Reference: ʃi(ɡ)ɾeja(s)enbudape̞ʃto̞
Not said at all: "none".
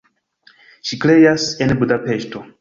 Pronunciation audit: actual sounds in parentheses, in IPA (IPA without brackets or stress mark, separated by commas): k, s